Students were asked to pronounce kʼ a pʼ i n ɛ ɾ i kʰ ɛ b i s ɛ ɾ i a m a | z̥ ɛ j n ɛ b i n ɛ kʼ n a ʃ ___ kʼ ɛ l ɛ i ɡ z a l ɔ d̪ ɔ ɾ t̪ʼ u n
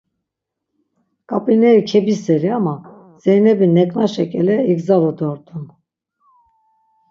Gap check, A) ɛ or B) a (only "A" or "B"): A